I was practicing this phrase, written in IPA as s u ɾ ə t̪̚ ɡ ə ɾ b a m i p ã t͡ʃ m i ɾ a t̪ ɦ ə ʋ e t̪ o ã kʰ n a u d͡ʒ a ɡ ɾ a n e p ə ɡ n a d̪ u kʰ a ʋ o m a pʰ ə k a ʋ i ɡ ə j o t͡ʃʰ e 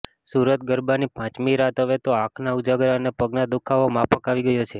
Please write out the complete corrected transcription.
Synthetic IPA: s u ɾ ə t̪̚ ɡ ə ɾ b a n i p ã t͡ʃ m i ɾ a t̪ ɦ ə ʋ e t̪ o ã kʰ n a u d͡ʒ a ɡ ɾ a n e p ə ɡ n a d̪ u kʰ a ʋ o m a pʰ ə k a ʋ i ɡ ə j o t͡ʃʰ e

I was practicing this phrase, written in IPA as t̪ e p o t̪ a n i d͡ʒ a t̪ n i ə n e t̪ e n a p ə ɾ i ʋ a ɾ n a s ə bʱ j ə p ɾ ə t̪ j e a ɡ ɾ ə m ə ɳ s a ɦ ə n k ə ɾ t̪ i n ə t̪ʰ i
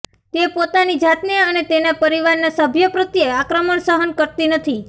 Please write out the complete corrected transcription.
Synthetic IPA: t̪ e p o t̪ a n i d͡ʒ a t̪ n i ə n e t̪ e n a p ə ɾ i ʋ a ɾ n a s ə bʱ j ə p ɾ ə t̪ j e a k ɾ ə m ə ɳ s ə ɦ ə n k ə ɾ t̪ i n ə t̪ʰ i

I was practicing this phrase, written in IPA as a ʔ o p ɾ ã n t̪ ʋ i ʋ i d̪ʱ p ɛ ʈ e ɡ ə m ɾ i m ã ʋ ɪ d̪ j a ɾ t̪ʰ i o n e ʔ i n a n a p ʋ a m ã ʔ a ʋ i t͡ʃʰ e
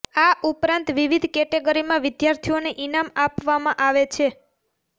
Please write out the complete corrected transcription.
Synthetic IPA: a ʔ u p ɾ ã n t̪ ʋ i ʋ i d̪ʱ k ɛ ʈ e ɡ ə ɾ i m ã ʋ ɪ d̪ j a ɾ t̪ʰ i o n e ʔ i n a m a p ʋ a m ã ʔ a ʋ e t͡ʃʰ e

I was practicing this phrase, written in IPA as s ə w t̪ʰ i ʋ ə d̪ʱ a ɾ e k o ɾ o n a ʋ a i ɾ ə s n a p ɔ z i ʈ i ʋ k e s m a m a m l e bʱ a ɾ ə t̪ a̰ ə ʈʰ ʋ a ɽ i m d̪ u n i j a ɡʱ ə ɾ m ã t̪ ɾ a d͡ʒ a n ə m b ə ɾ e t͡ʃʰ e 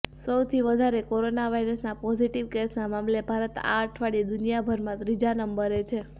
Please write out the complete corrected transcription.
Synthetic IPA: s ə w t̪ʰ i ʋ ə d̪ʱ a ɾ e k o ɾ o n a ʋ a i ɾ ə s n a p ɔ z i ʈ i ʋ k e s n a m a m l e bʱ a ɾ ə t̪ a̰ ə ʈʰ ʋ a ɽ i d̪ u n i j a bʱ ə ɾ m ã t̪ ɾ i d͡ʒ a n ə m b ə ɾ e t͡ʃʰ e

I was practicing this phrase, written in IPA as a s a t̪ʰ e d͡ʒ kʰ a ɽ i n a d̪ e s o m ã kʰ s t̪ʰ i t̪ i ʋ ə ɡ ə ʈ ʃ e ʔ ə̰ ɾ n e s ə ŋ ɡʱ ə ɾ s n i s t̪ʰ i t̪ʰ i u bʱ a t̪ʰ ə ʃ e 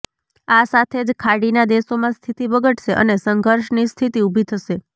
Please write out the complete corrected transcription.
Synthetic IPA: a s a t̪ʰ e d͡ʒ kʰ a ɽ i n a d̪ e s o m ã s t̪ʰ i t̪ i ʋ ə ɡ ə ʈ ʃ e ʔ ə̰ n e s ə ŋ ɡʱ ə ɾ ʃ n i s t̪ʰ i t̪ i u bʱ i t̪ʰ ə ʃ e

